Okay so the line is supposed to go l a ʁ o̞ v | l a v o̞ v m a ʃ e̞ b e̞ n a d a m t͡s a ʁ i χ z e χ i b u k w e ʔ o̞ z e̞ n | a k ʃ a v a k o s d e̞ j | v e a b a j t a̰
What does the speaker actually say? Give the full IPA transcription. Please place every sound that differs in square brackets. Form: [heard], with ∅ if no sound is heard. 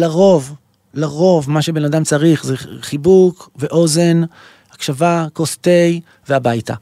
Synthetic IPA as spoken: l a ʁ o̞ v | l a [ʁ] o̞ v m a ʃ e̞ b e̞ n a d a m t͡s a ʁ i χ z e χ i b u k [v] e ʔ o̞ z e̞ n | a k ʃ a v a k o s [t] e̞ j | v e a b a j t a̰